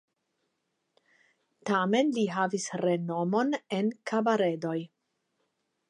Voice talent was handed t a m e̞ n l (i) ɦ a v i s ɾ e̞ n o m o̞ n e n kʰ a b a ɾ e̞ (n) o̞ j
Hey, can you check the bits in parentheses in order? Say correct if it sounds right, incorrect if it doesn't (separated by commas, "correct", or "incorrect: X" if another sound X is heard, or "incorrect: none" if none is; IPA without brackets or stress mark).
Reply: correct, incorrect: d